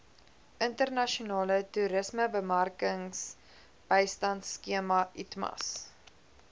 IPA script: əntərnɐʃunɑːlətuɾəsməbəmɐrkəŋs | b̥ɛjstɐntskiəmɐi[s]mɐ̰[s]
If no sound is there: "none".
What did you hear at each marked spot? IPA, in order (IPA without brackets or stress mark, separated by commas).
t, s